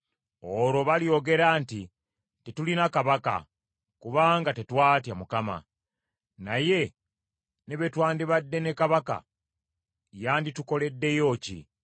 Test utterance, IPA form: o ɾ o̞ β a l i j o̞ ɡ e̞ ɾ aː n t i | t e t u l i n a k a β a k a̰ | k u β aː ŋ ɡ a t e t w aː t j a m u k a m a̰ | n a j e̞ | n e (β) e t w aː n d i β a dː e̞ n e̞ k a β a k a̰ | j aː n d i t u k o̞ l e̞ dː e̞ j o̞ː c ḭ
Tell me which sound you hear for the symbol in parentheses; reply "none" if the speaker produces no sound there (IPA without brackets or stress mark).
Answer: β